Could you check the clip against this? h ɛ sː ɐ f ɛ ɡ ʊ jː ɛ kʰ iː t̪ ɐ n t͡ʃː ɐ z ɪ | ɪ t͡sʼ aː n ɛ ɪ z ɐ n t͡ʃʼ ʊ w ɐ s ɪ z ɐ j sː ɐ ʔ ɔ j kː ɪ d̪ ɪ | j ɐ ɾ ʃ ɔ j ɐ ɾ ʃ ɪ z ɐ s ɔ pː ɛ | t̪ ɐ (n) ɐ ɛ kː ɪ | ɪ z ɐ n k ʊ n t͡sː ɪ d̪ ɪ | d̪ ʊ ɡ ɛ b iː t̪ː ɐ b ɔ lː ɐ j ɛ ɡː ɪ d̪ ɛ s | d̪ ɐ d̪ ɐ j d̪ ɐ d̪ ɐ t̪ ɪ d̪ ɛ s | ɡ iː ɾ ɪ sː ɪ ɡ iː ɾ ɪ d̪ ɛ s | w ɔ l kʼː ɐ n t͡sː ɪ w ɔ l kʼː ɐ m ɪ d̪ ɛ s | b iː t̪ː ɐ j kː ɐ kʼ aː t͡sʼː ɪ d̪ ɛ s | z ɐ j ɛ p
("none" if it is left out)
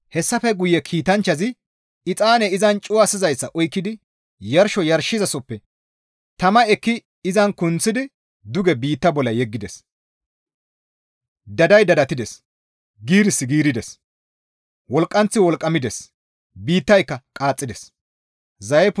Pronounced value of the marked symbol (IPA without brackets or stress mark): m